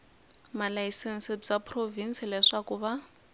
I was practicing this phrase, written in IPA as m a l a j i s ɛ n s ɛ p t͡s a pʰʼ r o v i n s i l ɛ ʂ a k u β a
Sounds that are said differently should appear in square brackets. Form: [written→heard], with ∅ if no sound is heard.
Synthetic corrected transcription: m a l a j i s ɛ n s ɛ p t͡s a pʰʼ r o v i n s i l ɛ ʂ a k u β a